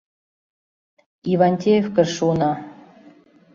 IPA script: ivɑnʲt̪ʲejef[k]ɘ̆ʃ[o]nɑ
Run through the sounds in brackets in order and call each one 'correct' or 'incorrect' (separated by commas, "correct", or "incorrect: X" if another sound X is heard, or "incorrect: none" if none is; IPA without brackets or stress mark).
correct, incorrect: u